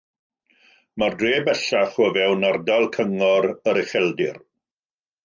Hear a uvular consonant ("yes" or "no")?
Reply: yes